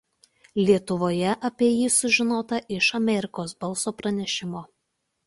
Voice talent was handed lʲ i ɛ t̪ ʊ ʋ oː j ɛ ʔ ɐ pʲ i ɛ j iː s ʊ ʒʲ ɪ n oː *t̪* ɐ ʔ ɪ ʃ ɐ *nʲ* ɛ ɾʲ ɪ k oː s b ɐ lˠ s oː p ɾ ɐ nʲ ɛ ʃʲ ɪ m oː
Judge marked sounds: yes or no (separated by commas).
yes, no